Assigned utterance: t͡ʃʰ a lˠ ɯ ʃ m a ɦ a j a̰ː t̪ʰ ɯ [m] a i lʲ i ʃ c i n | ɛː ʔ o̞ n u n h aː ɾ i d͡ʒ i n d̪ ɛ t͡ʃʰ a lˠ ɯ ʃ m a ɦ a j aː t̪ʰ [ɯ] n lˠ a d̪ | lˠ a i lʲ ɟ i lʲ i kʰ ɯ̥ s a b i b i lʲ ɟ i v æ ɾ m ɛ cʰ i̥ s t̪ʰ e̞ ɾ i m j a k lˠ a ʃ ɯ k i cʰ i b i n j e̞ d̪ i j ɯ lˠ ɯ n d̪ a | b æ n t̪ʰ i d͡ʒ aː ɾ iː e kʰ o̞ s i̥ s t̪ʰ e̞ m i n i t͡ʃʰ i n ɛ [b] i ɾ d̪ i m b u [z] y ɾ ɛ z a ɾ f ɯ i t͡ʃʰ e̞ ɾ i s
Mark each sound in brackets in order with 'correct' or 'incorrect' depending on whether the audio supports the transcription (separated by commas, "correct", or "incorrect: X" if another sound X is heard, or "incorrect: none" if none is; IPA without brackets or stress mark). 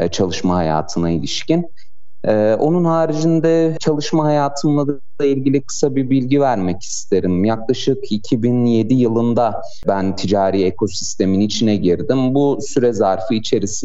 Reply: incorrect: n, correct, incorrect: ɟ, incorrect: s